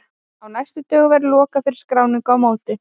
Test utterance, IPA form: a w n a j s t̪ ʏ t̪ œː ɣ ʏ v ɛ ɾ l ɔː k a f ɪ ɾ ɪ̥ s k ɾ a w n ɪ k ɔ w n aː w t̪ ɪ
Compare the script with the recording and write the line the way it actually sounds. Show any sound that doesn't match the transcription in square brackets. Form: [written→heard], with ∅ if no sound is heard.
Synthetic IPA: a w n a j s t̪ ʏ t̪ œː ɣ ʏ v ɛ ɾ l ɔː k a f ɪ ɾ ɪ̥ s k ɾ a w n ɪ k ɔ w [n→m] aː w t̪ ɪ